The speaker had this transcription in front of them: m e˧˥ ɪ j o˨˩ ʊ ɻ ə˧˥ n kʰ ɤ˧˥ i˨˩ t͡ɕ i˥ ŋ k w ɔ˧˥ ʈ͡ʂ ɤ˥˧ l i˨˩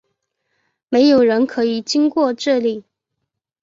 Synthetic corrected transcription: m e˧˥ ɪ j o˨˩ ʊ ɻ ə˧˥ n kʰ ɤ˧˥ i˨˩ t͡ɕ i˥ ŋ k w ɔ˥˧ ʈ͡ʂ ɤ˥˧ l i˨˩